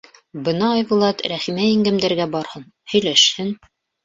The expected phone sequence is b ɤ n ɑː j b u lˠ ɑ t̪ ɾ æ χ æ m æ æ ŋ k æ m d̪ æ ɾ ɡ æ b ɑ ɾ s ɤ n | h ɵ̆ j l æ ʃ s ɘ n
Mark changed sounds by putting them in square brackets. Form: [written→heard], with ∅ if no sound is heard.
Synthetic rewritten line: b ɤ n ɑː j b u lˠ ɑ t̪ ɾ æ χ [æ→i] m æ [æ→i] ŋ [k→ɡ] æ m d̪ æ ɾ ɡ æ b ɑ ɾ [s→h] ɤ n | h ɵ̆ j l æ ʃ [s→h] ɘ n